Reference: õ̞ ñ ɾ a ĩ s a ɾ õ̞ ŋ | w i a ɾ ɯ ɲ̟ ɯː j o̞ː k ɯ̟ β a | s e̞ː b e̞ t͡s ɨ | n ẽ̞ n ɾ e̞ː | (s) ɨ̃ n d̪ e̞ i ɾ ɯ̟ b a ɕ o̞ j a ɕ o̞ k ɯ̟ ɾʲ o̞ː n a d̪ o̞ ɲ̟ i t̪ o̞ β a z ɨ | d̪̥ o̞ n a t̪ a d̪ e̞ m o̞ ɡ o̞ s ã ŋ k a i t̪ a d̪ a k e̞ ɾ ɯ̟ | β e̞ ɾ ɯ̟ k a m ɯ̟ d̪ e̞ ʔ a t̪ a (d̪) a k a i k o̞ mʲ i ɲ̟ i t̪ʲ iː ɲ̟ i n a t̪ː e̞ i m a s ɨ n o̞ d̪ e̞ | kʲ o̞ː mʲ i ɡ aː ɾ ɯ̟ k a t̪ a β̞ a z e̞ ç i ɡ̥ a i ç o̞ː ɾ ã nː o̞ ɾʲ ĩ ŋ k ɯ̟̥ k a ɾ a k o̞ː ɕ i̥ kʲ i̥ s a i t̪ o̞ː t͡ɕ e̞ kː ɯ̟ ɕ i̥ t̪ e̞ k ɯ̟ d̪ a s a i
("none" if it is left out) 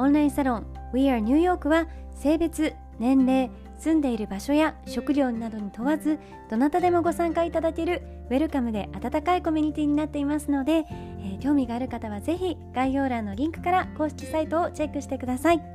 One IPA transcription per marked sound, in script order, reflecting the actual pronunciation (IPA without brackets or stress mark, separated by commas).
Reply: s, t̪